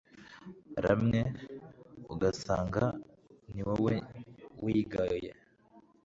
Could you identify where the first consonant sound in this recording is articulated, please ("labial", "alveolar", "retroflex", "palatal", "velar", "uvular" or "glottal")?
alveolar